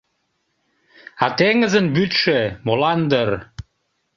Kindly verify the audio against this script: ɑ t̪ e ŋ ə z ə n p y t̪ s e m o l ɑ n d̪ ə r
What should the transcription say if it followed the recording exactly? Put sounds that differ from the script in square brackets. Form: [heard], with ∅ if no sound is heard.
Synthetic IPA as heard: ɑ t̪ e ŋ ə z ə n [b] y t̪ [ʃ] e m o l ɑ n d̪ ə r